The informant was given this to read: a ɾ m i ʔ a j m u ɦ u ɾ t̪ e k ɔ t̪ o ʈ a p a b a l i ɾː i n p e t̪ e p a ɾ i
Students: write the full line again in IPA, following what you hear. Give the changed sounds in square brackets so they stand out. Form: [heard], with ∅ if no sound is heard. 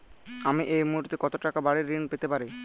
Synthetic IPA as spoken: a [∅] m i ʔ [e] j m u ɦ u ɾ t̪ e k ɔ t̪ o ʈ a [k] a b a [ɽ] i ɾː i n p e t̪ e p a ɾ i